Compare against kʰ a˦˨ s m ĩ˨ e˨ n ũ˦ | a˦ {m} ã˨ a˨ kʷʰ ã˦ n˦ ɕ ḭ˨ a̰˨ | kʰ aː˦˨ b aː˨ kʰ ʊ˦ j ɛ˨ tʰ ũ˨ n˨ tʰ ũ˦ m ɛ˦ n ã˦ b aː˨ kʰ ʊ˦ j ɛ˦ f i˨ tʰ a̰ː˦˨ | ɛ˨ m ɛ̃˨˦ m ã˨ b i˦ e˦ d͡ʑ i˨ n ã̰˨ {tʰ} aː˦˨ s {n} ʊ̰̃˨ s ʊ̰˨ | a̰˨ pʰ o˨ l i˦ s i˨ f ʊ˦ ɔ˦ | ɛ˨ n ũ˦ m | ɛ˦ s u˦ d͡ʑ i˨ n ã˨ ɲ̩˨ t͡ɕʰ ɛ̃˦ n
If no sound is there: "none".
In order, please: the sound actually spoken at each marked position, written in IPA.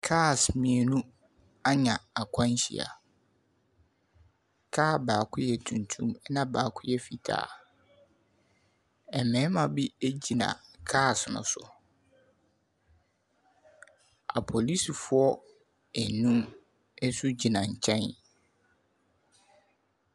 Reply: ɲ, kʰ, n

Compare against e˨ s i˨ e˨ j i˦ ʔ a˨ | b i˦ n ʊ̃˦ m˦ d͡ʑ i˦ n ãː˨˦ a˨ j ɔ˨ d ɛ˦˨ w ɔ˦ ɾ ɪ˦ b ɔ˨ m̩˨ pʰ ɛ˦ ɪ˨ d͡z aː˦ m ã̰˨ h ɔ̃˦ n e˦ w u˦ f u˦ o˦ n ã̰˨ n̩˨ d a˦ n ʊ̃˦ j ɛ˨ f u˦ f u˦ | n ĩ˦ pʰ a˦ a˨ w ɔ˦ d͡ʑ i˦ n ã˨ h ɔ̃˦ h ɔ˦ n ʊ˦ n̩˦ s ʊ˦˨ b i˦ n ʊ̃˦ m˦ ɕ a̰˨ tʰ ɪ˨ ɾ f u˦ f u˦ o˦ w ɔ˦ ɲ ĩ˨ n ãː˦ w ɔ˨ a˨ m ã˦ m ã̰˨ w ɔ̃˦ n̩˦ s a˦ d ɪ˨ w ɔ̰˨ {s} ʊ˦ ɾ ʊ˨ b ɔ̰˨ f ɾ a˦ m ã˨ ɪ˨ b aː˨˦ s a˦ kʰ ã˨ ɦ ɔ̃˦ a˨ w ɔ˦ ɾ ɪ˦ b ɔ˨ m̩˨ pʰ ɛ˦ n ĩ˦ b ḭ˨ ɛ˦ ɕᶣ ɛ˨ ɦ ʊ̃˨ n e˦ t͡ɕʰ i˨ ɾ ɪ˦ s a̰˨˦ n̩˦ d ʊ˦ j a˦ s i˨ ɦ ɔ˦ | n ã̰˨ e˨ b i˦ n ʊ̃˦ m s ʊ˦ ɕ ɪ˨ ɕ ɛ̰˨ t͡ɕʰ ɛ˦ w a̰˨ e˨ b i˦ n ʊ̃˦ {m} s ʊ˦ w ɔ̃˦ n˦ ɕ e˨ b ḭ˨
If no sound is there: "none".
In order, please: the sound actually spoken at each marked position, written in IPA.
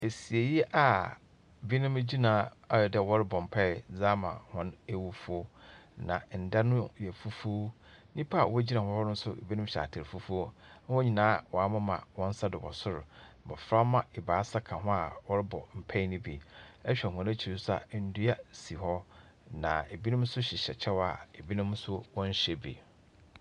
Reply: s, m

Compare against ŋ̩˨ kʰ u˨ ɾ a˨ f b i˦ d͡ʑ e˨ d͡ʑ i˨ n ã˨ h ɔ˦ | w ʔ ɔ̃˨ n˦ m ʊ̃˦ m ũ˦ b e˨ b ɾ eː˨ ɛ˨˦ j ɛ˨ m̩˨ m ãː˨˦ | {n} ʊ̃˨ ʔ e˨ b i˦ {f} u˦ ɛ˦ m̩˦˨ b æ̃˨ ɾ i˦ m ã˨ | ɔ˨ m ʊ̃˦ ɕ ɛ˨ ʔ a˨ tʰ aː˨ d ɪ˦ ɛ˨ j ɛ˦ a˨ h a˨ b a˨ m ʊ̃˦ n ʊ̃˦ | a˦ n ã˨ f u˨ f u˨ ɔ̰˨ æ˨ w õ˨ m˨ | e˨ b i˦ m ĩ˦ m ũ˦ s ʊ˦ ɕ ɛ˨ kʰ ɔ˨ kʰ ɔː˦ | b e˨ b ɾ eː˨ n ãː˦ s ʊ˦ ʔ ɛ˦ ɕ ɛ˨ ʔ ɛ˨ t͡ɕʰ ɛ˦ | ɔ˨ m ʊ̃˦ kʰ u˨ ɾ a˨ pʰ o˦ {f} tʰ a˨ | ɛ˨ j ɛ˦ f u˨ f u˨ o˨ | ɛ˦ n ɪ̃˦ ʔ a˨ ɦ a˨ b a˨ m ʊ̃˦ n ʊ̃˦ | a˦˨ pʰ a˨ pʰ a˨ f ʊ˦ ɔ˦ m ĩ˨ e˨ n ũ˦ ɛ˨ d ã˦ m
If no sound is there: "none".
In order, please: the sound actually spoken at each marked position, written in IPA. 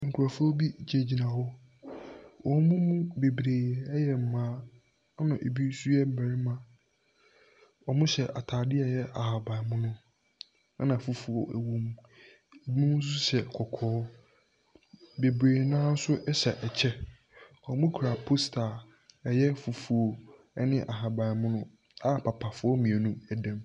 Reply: n, s, s

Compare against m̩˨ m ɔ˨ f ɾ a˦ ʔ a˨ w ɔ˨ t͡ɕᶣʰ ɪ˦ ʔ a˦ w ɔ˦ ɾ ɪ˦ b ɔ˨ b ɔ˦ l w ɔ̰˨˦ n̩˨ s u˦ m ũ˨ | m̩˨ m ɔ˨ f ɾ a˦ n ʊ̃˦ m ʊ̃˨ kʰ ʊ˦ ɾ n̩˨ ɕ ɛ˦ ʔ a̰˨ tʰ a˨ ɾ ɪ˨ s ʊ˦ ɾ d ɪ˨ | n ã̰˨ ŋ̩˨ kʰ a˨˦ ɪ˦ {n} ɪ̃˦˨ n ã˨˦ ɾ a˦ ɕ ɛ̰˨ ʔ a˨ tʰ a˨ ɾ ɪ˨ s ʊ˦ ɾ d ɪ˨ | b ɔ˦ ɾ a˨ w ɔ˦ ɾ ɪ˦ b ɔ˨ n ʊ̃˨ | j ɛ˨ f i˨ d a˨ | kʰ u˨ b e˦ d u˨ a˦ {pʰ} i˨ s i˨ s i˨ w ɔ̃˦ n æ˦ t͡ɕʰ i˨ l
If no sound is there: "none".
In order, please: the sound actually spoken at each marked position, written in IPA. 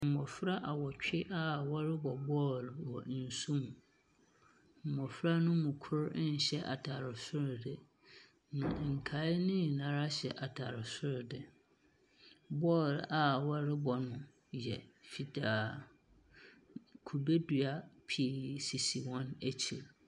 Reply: n, pʰ

